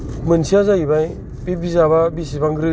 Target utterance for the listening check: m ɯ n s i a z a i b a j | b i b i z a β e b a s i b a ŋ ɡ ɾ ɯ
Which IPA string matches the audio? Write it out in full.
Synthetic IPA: m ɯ n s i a z a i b a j | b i b i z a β a b i s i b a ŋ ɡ ɾ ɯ